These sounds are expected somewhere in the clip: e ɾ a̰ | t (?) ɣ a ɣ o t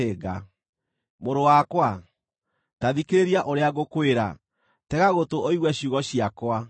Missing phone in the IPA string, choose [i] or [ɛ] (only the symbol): ɛ